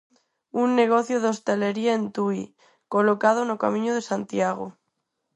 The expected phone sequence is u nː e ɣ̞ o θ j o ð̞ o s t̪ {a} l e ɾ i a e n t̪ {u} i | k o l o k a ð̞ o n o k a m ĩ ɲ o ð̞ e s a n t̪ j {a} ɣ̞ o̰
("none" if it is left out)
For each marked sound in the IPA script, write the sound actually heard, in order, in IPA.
e, u, a

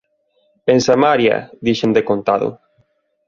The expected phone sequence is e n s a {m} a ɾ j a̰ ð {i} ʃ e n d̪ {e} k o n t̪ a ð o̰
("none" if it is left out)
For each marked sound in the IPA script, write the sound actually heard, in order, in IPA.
m, i, e

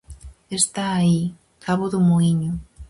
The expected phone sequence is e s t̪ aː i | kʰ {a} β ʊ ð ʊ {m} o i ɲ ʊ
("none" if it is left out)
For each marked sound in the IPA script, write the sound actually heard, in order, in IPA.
a, m

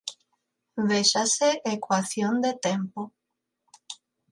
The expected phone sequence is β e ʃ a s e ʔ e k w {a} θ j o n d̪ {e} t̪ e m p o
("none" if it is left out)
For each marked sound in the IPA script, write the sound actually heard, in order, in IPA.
a, e

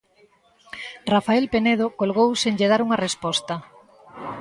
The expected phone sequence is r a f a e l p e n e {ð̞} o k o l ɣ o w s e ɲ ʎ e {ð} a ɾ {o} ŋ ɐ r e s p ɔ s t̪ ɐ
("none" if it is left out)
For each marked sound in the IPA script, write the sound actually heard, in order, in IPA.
ð̞, ð, u

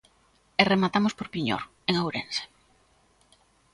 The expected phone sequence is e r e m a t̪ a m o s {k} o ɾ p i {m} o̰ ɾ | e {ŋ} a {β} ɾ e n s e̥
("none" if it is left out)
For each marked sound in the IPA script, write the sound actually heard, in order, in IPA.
p, ɲ, ŋ, w

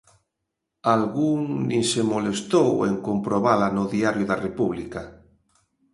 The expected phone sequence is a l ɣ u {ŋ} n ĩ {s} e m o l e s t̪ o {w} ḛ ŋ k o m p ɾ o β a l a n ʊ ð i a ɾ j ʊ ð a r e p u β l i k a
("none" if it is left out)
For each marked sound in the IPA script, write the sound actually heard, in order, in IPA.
ŋ, s, w

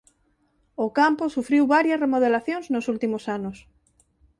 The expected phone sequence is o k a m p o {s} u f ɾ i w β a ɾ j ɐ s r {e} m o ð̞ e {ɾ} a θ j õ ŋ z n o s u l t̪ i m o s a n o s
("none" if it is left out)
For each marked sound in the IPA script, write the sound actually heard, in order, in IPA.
s, e, l

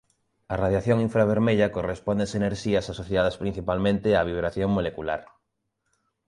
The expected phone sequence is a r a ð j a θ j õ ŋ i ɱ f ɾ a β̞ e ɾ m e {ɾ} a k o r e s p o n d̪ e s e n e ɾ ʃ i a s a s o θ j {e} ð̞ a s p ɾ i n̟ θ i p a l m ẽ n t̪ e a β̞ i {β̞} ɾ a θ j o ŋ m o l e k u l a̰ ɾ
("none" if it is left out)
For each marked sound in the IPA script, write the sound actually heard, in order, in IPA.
ʎ, a, β̞

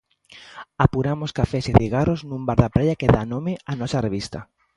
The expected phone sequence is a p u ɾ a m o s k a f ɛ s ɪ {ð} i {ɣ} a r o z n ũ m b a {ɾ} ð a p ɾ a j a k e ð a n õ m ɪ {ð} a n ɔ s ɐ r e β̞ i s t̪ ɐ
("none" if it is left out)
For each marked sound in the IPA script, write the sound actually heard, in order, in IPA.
ð, ɣ, ɾ, none

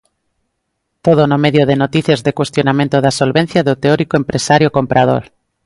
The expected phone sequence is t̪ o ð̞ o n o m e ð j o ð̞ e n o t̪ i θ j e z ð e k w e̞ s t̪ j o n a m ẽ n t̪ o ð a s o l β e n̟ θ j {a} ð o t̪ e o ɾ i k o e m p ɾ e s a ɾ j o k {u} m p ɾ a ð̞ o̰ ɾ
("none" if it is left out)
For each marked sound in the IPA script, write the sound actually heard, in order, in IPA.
a, o

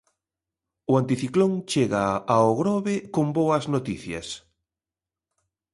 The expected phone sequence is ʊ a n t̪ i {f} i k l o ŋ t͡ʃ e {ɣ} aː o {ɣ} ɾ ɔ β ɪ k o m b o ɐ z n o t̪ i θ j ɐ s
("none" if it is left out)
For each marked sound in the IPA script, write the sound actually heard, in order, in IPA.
θ, ɣ, ɣ

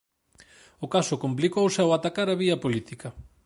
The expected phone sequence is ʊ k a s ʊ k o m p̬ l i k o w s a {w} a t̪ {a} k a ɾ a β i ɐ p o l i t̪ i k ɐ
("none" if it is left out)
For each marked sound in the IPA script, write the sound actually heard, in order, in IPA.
w, a

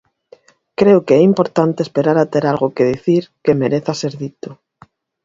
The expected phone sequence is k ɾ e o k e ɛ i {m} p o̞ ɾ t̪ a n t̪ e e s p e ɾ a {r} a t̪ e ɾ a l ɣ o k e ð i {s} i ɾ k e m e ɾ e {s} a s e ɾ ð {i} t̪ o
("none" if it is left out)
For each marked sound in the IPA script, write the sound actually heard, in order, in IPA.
m, ɾ, θ, θ, i

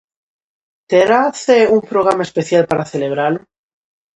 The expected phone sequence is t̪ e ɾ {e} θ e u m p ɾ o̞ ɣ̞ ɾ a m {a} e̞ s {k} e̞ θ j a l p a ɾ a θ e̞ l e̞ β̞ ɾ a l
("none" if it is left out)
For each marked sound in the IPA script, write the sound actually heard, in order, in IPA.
a, a, p

